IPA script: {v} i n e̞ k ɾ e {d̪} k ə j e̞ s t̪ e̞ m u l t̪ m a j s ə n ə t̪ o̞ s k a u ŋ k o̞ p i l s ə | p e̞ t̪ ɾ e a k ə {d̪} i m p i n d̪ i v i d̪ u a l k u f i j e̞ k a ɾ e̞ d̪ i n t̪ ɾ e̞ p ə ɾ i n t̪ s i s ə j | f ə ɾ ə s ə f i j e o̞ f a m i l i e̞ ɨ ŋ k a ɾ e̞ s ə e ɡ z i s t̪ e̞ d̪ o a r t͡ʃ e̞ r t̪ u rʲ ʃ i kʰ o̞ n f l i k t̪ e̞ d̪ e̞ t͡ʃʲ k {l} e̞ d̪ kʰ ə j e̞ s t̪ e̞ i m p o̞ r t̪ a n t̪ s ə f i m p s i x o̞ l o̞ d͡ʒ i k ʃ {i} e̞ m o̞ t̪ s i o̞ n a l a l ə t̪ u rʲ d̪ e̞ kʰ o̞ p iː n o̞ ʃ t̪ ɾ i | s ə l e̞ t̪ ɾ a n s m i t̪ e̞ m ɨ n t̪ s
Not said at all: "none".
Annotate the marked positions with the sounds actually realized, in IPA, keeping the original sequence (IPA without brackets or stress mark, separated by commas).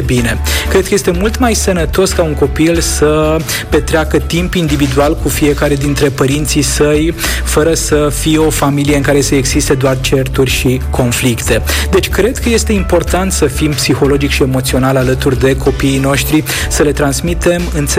b, d̪, t̪, ɾ, i